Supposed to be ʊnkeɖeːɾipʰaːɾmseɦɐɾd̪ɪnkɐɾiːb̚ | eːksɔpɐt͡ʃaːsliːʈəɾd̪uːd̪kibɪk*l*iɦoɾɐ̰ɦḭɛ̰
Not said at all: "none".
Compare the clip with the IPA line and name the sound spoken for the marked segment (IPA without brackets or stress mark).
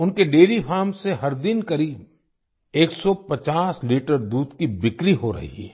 ɾ